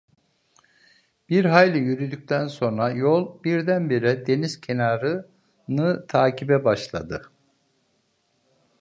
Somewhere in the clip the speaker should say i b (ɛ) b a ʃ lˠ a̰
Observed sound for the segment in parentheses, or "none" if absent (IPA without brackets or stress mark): ɛ